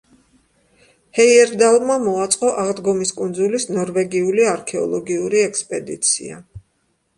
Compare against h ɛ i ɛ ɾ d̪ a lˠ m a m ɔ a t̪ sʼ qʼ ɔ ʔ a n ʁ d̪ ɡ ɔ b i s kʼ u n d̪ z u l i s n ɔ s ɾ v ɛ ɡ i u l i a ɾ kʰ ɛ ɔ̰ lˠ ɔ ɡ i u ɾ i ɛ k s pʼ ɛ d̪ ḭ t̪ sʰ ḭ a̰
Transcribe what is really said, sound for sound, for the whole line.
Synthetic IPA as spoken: h ɛ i ɛ ɾ d̪ a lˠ m a m ɔ a t̪ sʼ qʼ ɔ ʔ a ʁ d̪ ɡ ɔ m i s kʼ u n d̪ z u l i s n ɔ ɾ v ɛ ɡ i u l i a ɾ kʰ ɛ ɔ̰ lˠ ɔ ɡ i u ɾ i ɛ k s pʼ ɛ d̪ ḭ t̪ sʰ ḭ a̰